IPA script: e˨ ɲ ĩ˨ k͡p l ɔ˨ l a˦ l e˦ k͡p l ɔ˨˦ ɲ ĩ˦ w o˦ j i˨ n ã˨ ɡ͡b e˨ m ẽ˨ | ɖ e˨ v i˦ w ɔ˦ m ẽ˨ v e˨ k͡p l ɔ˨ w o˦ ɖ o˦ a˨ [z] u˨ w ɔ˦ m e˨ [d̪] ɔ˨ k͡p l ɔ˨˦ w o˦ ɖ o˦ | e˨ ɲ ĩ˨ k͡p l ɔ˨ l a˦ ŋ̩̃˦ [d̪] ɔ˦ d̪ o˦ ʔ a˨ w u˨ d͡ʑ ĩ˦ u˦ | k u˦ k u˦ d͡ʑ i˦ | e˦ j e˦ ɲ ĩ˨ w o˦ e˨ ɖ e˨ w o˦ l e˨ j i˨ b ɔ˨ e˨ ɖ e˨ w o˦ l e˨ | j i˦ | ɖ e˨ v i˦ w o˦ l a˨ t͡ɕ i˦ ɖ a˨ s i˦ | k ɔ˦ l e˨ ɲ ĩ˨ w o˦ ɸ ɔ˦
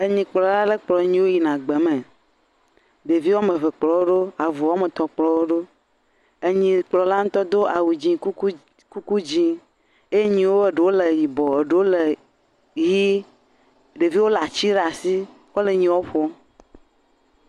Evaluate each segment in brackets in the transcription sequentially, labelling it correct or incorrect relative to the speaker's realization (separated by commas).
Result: incorrect, incorrect, incorrect